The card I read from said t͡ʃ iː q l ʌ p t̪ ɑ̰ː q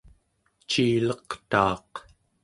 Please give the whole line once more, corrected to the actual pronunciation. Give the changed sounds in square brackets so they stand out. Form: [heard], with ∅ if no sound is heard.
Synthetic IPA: t͡ʃ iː [∅] l ʌ [q] t̪ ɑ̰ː q